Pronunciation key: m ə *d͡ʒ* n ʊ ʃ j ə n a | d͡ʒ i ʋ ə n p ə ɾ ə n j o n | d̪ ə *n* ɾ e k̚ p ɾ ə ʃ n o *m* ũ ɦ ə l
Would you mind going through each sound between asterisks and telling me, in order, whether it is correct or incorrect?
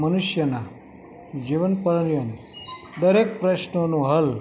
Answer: incorrect, incorrect, incorrect

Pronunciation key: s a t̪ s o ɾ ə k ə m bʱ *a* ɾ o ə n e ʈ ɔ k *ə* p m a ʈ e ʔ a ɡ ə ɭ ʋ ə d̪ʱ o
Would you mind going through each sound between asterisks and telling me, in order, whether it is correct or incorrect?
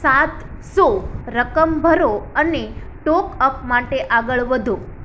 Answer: incorrect, correct

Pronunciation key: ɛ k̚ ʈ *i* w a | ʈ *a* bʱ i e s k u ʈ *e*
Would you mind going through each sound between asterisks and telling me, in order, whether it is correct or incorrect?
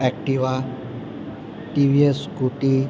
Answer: correct, incorrect, incorrect

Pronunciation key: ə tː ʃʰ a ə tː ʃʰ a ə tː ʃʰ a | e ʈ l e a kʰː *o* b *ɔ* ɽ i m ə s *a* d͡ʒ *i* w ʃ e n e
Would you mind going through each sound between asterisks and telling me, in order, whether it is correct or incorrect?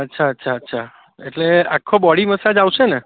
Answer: correct, correct, correct, incorrect

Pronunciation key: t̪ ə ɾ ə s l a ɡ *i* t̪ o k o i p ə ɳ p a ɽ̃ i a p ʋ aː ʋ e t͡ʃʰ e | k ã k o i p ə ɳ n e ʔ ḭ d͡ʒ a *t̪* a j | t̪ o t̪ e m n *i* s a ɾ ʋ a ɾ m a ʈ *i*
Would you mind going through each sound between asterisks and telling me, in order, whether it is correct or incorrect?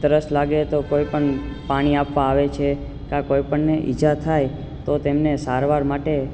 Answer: incorrect, incorrect, incorrect, incorrect

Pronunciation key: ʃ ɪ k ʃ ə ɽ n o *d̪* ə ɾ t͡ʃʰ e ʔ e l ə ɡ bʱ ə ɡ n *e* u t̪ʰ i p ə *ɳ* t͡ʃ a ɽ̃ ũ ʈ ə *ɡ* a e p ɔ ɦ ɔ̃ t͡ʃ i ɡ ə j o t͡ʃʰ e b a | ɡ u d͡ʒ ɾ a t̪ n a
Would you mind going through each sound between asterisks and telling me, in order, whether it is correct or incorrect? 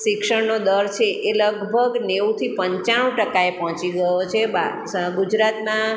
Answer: correct, correct, incorrect, incorrect

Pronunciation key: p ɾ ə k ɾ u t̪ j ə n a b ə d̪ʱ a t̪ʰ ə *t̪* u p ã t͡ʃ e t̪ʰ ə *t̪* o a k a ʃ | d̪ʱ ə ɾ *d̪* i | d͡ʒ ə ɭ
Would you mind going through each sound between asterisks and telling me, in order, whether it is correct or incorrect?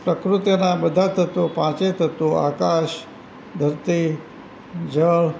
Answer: correct, correct, incorrect

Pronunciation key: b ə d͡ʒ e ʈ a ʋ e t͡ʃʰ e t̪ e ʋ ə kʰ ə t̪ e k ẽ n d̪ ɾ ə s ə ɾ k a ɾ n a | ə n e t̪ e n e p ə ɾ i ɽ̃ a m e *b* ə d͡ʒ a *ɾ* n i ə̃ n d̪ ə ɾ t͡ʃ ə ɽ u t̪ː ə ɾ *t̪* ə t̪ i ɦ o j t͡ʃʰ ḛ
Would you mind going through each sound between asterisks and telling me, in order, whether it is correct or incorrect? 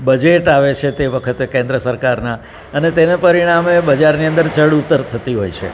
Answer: correct, correct, incorrect

